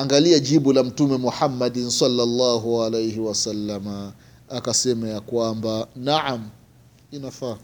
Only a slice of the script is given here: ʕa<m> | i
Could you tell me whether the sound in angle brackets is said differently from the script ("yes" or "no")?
no